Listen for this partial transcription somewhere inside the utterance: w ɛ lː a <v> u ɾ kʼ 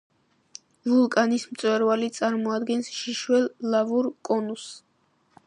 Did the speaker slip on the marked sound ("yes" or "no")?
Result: no